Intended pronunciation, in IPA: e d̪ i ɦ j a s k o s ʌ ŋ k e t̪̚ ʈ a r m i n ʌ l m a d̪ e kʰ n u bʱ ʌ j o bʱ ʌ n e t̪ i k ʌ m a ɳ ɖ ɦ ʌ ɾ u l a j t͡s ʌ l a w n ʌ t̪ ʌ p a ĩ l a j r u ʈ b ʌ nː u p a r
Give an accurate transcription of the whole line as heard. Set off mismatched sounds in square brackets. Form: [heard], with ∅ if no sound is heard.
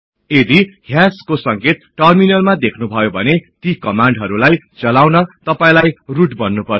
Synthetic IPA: e d̪ i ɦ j a s k o s ʌ ŋ k e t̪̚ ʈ [ʌ] r m i n ʌ l m a d̪ e kʰ n u bʱ ʌ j o bʱ ʌ n e t̪ i k ʌ m a ɳ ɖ ɦ ʌ ɾ u l a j t͡s ʌ l a w n ʌ t̪ ʌ p a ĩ l a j r u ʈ b ʌ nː u p [ʌ] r